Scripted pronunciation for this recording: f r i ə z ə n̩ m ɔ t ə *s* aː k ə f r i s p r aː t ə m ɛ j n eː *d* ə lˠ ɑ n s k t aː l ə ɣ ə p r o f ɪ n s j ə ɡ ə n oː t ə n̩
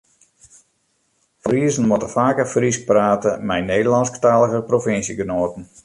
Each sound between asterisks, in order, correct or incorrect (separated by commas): incorrect, correct